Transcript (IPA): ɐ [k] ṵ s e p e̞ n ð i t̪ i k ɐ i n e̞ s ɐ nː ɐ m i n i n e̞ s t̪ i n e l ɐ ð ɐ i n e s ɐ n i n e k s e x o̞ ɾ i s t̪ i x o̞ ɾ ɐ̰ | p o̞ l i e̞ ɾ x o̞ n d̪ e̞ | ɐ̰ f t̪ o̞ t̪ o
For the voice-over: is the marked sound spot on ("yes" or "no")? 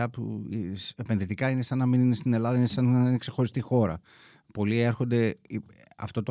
no